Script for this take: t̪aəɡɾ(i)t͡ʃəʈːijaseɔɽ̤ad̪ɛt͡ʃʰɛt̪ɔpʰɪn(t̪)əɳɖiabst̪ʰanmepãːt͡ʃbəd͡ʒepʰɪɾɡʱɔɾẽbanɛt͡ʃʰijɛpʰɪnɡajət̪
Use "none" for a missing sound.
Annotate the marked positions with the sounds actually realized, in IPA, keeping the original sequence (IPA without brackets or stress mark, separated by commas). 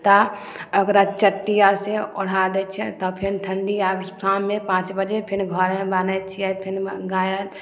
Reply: a, t̪ʰ